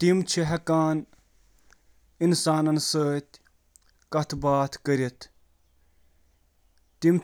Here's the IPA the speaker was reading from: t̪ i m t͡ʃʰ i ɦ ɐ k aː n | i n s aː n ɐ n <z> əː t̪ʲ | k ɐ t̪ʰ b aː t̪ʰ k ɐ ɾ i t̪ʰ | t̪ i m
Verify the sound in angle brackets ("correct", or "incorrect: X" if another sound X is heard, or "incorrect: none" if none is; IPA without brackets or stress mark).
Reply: incorrect: s